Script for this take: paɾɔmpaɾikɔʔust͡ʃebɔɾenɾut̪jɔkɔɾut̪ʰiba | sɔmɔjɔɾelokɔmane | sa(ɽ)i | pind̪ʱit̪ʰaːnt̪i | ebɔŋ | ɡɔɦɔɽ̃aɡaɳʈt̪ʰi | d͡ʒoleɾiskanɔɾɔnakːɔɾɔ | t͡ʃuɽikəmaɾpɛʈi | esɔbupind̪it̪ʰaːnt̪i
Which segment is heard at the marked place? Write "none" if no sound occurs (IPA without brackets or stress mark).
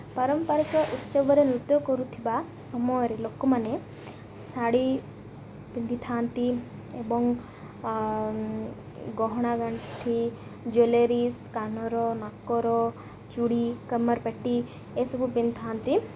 ɽ